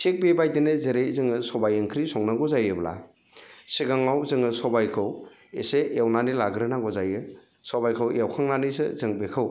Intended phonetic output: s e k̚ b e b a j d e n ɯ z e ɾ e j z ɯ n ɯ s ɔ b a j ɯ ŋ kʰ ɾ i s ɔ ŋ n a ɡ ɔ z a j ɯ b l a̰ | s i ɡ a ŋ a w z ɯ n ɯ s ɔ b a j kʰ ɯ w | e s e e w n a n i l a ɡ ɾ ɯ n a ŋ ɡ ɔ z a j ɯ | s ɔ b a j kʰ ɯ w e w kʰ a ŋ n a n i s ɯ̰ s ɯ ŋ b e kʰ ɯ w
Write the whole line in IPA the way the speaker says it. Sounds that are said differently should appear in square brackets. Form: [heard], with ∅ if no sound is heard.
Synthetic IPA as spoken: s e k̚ b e b a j d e n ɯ z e ɾ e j z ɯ [ŋ] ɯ s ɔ b a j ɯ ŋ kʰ ɾ i s ɔ ŋ n a ɡ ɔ z a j ɯ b l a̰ | s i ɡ a ŋ a w z ɯ [ŋ] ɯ s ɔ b a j kʰ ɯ w | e s e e w n a n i l a ɡ ɾ ɯ n a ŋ ɡ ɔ z a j ɯ | s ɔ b a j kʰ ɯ w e w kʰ a ŋ n a n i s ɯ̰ [z] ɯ ŋ b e kʰ ɯ w